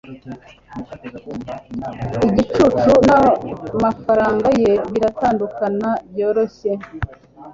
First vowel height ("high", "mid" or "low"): high